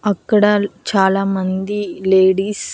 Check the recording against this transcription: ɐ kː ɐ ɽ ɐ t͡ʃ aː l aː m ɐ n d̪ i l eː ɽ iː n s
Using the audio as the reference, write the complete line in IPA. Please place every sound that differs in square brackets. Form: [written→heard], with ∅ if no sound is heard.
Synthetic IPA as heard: ɐ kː ɐ ɽ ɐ t͡ʃ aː l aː m ɐ n d̪ i l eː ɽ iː [n→∅] s